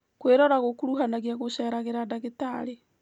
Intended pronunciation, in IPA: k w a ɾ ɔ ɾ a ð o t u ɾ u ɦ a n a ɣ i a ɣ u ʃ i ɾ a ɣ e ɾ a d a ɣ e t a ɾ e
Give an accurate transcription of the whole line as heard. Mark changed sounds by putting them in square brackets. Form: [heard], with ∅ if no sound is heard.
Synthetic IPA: k w [e] ɾ ɔ ɾ a [ɣ] o [k] u ɾ u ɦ a n a ɣ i a ɣ [o] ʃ [ɛ] ɾ a ɣ e ɾ a d a ɣ e t a ɾ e